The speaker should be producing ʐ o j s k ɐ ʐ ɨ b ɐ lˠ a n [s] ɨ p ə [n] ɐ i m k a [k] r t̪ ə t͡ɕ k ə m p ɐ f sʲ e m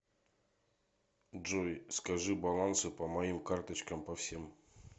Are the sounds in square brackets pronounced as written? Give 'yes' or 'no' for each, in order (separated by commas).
yes, no, no